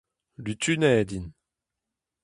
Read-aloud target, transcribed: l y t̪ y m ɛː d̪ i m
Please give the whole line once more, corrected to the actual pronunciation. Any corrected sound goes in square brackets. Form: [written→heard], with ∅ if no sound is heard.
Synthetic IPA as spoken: l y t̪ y [m→n] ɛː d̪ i [m→n]